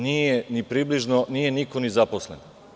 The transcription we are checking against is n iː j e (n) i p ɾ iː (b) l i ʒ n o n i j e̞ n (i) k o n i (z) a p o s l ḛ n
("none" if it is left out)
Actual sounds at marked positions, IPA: n, b, i, z

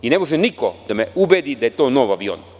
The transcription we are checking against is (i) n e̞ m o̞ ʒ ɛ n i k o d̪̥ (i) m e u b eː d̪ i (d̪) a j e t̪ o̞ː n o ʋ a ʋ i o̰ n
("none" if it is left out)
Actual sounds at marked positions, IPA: i, a, d̪

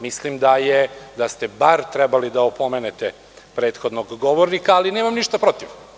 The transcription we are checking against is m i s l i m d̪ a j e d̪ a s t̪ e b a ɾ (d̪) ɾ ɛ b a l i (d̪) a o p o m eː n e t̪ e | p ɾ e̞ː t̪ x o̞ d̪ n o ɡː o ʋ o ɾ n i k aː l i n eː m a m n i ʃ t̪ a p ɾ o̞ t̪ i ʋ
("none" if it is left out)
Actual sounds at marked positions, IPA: t̪, d̪

